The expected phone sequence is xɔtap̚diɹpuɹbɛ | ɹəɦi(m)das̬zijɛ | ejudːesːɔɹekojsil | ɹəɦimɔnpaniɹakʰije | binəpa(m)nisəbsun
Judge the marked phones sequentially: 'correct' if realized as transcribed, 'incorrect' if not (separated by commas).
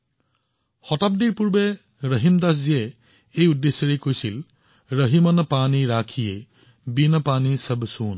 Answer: correct, incorrect